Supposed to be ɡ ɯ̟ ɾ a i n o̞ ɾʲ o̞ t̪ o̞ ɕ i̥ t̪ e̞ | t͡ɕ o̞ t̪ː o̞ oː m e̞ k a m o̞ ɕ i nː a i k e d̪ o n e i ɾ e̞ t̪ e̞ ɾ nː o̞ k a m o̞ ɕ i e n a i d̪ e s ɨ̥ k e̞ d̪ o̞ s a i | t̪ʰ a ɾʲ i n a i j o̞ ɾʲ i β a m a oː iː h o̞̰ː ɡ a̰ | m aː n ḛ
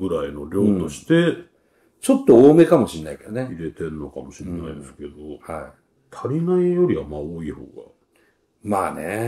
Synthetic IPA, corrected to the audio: ɡ ɯ̟ ɾ a i n o̞ ɾʲ o̞ t̪ o̞ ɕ i̥ t̪ e̞ | t͡ɕ o̞ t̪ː o̞ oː m e̞ k a m o̞ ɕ i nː a i k e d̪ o n e i ɾ e̞ t̪ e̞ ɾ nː o̞ k a m o̞ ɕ i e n a i d̪ e s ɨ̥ k e̞ d̪ o̞ h a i | t̪ʰ a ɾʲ i n a i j o̞ ɾʲ i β a m a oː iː h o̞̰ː ɡ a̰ | m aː n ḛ